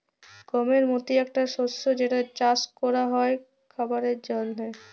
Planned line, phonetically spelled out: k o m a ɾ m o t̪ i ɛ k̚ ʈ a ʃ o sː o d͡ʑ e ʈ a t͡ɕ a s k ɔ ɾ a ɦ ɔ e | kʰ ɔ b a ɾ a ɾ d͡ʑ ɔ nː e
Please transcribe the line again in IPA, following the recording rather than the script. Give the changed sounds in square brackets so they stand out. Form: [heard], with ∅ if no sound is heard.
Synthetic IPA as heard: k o m [e] ɾ m o t̪ i ɛ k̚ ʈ a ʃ o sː o d͡ʑ e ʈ a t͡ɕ a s k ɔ ɾ a ɦ ɔ e | kʰ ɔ b a ɾ [e] ɾ d͡ʑ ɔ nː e